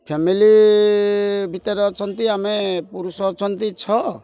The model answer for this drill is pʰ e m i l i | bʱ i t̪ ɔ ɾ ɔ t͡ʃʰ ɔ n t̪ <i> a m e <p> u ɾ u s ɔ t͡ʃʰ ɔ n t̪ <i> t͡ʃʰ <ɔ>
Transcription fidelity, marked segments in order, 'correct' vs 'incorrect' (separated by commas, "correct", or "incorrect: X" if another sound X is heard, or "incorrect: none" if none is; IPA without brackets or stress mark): correct, correct, correct, correct